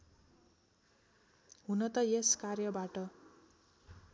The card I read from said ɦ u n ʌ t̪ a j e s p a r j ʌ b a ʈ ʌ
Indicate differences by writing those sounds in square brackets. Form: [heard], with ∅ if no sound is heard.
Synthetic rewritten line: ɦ u n ʌ t̪ [ʌ] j e s [k] a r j ʌ b a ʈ ʌ